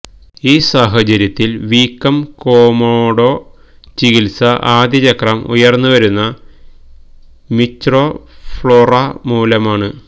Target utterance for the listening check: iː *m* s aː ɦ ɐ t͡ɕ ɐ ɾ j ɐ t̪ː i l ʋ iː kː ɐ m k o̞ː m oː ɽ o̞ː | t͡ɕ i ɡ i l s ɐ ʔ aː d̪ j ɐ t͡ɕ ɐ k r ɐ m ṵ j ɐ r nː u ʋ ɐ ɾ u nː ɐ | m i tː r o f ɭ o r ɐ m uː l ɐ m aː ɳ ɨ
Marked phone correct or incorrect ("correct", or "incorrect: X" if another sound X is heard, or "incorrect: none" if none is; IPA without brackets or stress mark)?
incorrect: none